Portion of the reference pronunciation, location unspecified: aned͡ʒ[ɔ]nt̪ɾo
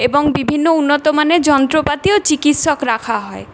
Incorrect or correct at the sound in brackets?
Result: correct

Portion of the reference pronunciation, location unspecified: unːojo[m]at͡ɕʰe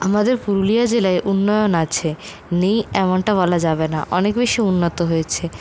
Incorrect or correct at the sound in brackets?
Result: incorrect: n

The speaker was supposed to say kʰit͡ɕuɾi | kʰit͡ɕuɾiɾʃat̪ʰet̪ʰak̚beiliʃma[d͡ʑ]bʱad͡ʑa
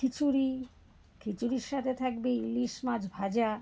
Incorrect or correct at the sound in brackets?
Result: correct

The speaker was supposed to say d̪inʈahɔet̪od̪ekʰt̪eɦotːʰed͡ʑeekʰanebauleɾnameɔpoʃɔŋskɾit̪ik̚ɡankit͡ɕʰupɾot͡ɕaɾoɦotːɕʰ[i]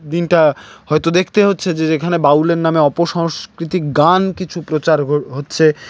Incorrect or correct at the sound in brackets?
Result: incorrect: e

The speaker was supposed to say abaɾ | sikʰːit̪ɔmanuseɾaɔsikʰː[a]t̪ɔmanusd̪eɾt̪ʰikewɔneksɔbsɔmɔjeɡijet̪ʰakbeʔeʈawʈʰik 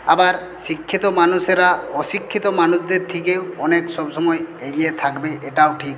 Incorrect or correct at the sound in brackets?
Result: incorrect: i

